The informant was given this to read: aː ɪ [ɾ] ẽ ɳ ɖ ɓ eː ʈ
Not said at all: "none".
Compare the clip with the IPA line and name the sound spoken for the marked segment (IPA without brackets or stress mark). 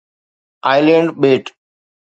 l